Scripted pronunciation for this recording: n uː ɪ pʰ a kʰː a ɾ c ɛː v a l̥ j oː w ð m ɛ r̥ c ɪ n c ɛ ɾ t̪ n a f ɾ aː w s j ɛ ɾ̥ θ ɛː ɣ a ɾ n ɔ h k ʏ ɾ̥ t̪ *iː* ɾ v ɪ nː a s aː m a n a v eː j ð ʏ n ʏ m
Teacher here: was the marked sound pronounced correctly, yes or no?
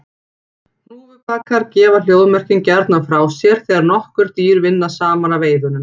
yes